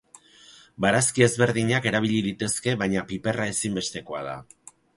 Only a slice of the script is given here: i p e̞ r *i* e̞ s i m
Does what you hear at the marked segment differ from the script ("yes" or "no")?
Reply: yes